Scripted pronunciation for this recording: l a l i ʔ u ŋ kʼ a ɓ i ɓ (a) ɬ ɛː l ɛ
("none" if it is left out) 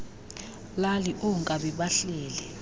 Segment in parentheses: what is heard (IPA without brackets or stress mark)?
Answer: a